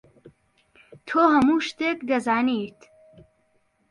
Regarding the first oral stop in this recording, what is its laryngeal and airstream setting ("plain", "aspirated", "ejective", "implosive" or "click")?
aspirated